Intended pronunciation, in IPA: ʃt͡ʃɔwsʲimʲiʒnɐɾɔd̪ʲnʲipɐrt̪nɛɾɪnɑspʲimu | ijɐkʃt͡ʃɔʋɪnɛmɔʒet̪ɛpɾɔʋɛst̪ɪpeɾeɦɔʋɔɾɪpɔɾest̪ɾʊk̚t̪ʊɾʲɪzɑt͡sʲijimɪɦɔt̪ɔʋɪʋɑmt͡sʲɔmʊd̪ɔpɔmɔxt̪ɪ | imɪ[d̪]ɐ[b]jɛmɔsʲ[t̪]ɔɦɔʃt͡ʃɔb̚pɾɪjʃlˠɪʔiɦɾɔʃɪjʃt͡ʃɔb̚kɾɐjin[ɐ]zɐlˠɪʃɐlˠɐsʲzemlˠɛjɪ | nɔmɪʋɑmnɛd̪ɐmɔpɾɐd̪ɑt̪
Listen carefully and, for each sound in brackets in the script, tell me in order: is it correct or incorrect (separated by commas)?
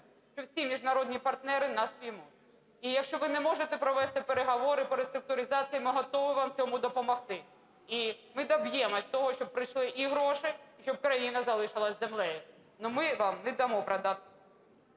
correct, correct, correct, correct